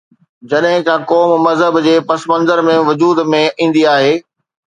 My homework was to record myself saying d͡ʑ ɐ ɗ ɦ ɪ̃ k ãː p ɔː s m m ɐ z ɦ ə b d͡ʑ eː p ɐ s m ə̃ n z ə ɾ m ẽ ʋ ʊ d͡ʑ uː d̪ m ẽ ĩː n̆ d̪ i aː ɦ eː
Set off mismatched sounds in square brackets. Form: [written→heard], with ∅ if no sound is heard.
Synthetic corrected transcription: d͡ʑ ɐ ɗ ɦ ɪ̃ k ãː [p→k] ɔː [s→∅] m m ɐ z ɦ ə b d͡ʑ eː p ɐ s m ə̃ n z ə ɾ m ẽ ʋ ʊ d͡ʑ uː d̪ m ẽ ĩː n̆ d̪ i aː ɦ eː